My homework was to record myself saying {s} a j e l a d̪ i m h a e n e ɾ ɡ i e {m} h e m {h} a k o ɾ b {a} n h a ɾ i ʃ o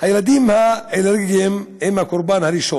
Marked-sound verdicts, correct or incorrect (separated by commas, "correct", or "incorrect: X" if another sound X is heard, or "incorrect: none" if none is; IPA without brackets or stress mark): incorrect: h, correct, correct, correct